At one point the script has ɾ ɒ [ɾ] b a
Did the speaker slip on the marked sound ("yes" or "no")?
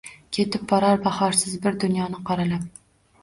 no